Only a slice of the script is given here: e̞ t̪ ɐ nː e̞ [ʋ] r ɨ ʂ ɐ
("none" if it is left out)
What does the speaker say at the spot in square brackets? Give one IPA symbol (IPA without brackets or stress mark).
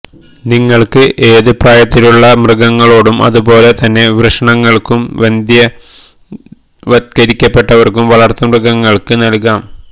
ʋ